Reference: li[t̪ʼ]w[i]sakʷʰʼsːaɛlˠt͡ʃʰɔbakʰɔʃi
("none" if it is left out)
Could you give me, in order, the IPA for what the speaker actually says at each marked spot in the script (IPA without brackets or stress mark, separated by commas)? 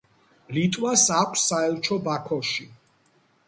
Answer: t̪ʼ, a